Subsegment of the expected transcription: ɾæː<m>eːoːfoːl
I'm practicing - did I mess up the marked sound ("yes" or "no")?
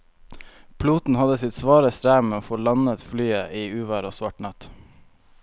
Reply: no